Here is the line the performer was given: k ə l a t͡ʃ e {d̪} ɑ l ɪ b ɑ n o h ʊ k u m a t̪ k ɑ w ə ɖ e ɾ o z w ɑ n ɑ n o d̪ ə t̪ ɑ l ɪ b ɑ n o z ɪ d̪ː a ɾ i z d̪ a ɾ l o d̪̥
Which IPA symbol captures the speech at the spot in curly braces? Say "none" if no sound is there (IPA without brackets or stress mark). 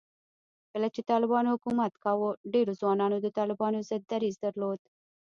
t̪